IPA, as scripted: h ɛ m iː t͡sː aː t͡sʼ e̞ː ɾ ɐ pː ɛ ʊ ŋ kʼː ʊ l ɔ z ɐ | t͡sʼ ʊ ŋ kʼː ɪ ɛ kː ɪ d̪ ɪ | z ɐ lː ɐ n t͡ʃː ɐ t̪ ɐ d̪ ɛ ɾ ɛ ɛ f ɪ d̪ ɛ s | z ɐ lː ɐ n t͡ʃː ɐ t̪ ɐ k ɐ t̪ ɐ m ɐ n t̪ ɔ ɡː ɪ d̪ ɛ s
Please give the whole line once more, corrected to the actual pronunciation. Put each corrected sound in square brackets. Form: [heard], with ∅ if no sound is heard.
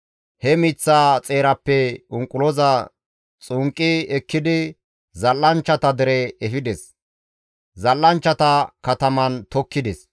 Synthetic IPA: h ɛ m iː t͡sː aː t͡sʼ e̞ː ɾ ɐ pː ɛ ʊ ŋ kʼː ʊ l ɔ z ɐ | t͡sʼ ʊ ŋ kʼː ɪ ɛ kː ɪ d̪ ɪ | z ɐ lː ɐ n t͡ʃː ɐ t̪ ɐ d̪ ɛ ɾ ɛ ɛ f ɪ d̪ ɛ s | z ɐ lː ɐ n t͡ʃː ɐ t̪ ɐ k ɐ t̪ ɐ m ɐ n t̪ ɔ [kː] ɪ d̪ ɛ s